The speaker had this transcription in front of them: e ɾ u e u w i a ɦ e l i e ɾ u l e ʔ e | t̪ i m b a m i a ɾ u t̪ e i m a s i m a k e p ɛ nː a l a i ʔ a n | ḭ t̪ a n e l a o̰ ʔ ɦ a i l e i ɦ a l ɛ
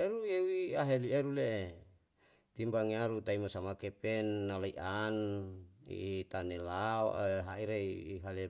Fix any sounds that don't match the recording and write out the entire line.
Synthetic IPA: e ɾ u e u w i a ɦ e l i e ɾ u l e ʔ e | t̪ i m b a ŋ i a ɾ u t̪ a i m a s a m a k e p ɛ nː a l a i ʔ a n | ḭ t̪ a n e l a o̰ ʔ ɦ a i ɾ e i ɦ a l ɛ